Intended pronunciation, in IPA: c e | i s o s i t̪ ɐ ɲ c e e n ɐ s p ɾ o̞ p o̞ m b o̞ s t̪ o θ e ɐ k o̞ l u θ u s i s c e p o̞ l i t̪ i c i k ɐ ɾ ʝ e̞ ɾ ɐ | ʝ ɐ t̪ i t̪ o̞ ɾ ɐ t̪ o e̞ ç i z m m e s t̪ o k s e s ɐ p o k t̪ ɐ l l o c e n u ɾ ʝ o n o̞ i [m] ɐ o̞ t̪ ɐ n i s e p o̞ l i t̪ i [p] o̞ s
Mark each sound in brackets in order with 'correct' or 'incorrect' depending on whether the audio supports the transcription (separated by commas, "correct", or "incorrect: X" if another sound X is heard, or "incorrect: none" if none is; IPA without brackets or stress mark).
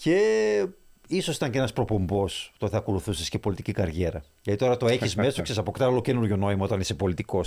correct, incorrect: k